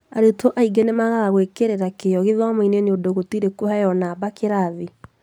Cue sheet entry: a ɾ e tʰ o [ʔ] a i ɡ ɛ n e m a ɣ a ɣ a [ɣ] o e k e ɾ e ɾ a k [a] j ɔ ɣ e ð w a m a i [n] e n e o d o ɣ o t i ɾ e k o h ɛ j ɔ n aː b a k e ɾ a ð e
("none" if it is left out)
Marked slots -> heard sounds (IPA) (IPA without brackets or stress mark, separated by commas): ʔ, ɣ, e, n